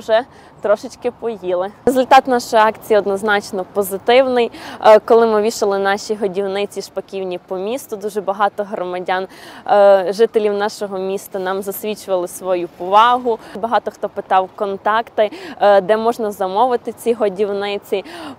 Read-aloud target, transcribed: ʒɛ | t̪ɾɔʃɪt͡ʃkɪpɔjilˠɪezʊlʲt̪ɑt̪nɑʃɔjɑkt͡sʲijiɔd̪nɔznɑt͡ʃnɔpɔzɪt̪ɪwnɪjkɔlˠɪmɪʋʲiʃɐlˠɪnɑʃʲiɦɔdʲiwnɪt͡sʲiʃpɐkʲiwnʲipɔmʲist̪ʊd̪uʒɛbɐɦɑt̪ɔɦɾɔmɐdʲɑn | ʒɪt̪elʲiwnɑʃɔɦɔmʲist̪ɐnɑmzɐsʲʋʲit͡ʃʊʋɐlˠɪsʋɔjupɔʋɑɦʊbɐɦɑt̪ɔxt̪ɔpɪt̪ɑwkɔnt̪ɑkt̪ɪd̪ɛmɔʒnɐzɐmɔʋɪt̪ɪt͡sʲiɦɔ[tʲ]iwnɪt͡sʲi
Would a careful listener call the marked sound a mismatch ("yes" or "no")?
yes